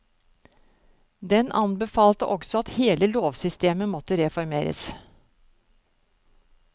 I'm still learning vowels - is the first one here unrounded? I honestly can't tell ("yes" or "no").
yes